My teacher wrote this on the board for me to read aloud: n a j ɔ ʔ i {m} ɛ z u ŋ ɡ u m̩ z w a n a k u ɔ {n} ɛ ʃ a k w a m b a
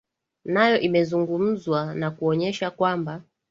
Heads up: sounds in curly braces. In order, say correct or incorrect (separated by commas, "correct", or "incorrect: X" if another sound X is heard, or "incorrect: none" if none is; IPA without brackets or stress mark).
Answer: correct, incorrect: ɲ